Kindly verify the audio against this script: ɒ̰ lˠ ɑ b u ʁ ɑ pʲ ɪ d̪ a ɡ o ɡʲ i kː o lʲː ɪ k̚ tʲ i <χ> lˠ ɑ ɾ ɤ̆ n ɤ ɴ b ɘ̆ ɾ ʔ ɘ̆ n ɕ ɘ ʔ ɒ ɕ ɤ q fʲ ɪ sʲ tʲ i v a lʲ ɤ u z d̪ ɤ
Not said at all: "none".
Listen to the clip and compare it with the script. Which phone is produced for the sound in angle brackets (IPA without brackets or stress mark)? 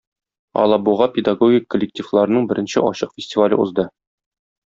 f